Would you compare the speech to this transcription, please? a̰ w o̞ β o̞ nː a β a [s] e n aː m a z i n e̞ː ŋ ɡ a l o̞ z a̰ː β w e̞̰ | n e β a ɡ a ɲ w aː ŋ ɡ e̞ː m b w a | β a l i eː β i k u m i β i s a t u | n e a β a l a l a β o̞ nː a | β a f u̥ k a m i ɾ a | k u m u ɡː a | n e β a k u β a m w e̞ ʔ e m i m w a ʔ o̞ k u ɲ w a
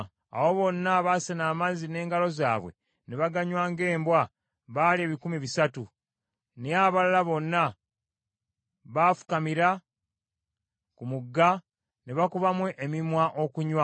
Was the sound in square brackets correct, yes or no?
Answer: yes